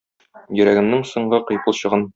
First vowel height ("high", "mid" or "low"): mid